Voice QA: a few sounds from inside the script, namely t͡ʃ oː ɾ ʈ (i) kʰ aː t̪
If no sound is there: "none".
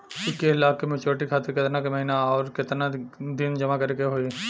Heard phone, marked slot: i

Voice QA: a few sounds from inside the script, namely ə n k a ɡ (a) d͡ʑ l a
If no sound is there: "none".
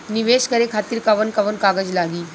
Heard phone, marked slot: ə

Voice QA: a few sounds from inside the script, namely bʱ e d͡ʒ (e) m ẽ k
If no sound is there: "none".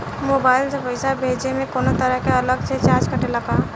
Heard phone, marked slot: e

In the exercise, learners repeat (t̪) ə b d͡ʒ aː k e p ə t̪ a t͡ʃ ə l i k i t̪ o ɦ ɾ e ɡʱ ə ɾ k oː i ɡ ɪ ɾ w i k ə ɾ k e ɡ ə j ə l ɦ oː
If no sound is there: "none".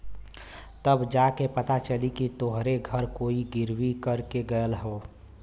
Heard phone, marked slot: t̪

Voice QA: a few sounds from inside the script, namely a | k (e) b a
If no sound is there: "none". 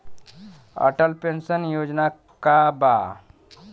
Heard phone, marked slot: a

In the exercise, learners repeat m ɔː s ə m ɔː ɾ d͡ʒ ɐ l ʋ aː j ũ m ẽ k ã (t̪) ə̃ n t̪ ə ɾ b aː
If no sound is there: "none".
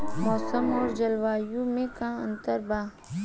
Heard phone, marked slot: none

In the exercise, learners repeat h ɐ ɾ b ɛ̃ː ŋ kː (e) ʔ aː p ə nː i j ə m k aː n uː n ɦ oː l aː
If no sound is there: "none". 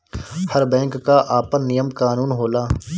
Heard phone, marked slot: a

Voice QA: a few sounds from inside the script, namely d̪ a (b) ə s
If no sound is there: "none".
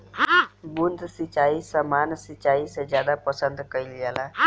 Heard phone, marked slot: p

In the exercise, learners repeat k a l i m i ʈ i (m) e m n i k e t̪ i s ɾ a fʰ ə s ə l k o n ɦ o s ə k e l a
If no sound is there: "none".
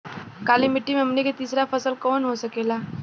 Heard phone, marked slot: m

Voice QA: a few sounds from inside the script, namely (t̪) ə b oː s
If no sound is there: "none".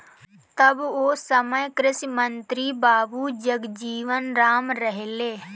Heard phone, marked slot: t̪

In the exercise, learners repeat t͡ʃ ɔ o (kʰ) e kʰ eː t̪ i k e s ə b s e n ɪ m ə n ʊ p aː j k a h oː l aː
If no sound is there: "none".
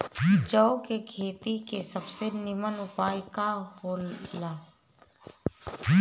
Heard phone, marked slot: k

